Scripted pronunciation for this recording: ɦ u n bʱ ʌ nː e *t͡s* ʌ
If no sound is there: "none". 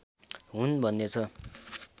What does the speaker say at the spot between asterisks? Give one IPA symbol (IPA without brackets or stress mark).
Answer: t͡sʰ